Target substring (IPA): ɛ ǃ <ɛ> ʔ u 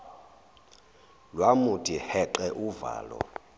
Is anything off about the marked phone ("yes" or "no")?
no